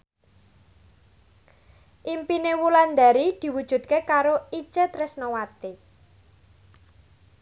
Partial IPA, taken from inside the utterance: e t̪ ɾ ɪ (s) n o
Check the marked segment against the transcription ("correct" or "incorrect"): correct